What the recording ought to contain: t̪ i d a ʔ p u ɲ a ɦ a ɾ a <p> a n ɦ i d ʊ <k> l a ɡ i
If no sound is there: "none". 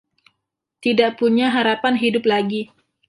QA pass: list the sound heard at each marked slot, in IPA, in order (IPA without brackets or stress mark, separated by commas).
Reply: p, p